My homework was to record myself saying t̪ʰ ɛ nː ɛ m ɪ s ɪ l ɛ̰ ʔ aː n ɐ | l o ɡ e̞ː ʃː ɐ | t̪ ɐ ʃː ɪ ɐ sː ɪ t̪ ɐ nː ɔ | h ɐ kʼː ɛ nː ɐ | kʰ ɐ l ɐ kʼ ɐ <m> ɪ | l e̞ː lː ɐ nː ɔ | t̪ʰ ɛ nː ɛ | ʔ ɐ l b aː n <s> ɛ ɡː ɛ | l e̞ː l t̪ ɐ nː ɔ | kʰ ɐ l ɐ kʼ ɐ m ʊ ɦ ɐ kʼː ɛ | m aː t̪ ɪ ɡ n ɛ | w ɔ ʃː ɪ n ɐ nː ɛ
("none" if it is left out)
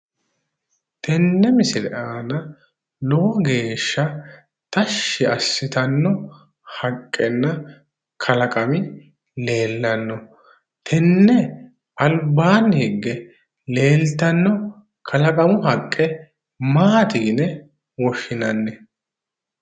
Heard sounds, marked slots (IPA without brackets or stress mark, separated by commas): m, h